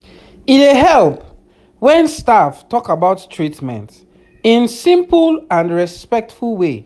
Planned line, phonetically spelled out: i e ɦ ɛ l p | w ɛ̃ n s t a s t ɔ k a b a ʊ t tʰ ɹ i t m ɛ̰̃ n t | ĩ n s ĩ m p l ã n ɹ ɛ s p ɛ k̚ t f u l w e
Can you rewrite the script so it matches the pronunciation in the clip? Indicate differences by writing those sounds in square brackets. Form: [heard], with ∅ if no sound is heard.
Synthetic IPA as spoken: i e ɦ ɛ l p | w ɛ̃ n s t a [f] t ɔ k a b a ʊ t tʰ ɹ i t m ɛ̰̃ n t | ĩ n s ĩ m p l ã n ɹ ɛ s p ɛ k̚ t f u l w e